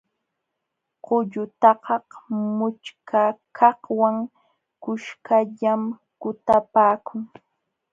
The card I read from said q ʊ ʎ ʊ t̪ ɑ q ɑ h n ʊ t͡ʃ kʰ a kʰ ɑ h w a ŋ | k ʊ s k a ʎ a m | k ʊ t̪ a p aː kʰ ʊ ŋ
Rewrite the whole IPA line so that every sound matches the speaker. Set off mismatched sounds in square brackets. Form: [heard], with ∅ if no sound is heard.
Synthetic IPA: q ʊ ʎ ʊ t̪ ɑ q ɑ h [m] ʊ t͡ʃ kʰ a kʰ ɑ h w a ŋ | k ʊ [ʃ] k a ʎ a m | k ʊ t̪ a p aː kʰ ʊ ŋ